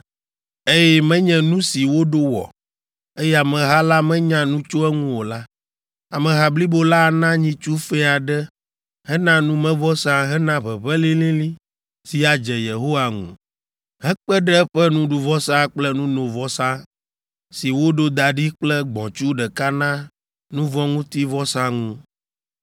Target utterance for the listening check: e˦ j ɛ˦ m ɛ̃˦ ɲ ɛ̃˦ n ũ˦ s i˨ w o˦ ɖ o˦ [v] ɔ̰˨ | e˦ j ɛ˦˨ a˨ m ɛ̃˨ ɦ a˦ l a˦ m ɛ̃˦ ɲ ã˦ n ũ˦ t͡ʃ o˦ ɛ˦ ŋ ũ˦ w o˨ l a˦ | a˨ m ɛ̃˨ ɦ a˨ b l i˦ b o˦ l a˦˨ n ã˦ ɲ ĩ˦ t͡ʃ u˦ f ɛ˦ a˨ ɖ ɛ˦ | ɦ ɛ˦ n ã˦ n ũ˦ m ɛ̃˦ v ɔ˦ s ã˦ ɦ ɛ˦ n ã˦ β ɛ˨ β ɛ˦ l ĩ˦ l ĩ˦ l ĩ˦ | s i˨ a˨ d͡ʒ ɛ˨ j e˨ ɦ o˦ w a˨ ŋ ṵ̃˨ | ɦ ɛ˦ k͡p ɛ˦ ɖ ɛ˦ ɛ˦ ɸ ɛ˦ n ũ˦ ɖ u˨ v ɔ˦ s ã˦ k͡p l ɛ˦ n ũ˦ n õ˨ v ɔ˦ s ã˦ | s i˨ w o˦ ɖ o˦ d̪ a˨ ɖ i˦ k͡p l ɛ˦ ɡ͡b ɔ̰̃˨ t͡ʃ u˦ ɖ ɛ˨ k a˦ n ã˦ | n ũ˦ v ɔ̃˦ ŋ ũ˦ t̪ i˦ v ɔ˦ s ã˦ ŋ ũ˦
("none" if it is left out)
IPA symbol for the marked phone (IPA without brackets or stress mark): w